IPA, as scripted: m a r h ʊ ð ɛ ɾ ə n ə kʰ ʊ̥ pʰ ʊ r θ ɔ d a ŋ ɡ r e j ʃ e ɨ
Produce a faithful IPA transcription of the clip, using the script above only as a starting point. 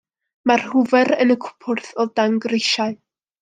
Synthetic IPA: m a r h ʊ v ɛ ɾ ə n ə kʰ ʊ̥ pʰ ʊ r θ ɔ d a ŋ ɡ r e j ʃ a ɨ